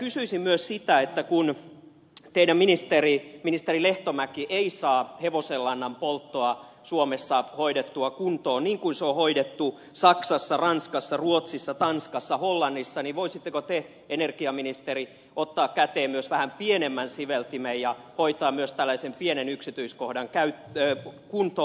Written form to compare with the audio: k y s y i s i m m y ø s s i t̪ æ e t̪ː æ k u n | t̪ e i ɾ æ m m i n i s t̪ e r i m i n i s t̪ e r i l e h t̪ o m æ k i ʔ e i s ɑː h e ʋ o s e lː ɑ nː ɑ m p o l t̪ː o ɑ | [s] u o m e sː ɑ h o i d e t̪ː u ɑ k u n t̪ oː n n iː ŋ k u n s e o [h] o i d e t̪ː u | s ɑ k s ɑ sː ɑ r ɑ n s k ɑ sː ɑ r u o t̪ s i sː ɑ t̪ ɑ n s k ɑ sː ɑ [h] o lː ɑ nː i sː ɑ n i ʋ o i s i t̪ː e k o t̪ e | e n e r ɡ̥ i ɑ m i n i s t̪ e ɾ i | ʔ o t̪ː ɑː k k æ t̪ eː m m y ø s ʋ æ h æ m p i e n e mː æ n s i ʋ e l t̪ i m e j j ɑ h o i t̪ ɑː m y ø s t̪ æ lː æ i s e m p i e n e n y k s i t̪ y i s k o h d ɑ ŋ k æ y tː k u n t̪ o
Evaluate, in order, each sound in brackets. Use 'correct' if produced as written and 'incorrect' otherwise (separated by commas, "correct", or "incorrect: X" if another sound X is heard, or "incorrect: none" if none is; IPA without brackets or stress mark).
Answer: correct, correct, correct